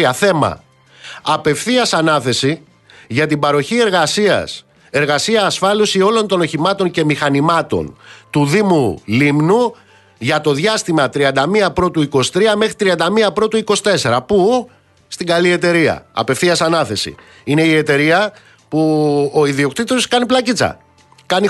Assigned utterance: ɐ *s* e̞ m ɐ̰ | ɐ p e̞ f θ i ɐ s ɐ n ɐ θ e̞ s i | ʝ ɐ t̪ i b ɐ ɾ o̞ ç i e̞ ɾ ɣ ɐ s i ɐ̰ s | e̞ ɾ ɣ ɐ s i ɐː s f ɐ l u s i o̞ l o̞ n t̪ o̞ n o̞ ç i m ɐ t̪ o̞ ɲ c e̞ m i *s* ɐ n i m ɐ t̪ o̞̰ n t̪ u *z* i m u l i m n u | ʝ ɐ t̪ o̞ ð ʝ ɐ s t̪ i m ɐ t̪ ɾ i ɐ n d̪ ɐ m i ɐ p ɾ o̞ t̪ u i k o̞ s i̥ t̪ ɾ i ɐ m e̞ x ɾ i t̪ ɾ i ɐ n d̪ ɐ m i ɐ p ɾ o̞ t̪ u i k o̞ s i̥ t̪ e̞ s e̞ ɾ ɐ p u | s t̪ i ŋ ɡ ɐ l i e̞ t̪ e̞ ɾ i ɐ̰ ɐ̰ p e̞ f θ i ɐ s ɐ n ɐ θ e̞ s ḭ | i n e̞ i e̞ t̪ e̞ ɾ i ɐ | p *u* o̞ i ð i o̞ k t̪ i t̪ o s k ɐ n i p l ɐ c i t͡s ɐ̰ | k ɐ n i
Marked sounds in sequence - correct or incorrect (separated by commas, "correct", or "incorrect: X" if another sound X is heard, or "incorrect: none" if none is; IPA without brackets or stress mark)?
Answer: incorrect: θ, incorrect: x, incorrect: ð, correct